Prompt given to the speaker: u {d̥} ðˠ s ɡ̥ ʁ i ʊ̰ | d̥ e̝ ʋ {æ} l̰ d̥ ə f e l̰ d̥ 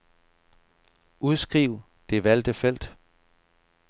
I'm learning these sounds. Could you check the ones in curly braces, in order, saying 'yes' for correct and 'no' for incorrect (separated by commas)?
no, yes